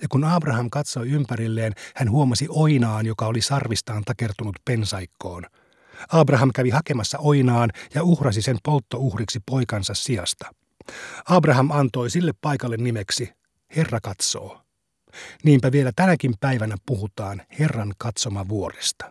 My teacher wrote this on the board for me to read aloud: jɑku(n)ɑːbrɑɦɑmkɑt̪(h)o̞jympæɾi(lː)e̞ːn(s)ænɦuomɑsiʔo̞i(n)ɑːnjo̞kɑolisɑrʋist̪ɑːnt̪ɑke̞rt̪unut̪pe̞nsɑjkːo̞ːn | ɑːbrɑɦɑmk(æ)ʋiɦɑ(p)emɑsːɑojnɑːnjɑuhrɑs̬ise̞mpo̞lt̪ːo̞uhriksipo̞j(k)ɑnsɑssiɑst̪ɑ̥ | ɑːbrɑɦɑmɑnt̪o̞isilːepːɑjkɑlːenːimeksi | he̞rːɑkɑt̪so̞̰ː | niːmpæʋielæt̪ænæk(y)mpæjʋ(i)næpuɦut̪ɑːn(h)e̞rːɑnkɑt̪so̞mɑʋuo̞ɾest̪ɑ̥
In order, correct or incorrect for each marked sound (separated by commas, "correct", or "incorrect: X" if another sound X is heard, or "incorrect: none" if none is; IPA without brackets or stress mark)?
correct, incorrect: s, correct, incorrect: h, correct, correct, incorrect: k, correct, incorrect: i, incorrect: æ, correct